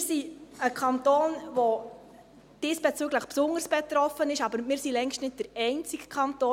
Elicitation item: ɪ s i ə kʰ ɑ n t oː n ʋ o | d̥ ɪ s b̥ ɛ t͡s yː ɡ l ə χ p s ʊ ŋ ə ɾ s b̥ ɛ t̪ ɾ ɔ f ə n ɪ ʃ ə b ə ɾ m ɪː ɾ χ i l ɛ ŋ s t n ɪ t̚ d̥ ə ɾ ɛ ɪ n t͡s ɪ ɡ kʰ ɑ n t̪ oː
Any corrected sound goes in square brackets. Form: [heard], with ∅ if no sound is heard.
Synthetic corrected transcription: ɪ s i ə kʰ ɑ n t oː n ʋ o | d̥ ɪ s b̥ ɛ t͡s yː ɡ l ə χ p s ʊ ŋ ə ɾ s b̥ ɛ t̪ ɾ ɔ f ə n ɪ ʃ [ɑ] b ə ɾ m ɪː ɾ [s] i l ɛ ŋ [ʃ] t n ɪ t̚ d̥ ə ɾ ɛ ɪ n t͡s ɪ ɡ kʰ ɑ n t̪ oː